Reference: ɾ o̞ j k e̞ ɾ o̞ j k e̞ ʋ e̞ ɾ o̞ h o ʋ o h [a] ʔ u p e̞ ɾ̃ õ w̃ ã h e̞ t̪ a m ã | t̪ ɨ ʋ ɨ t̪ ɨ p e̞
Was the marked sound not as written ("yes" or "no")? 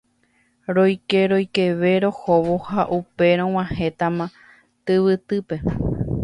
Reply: no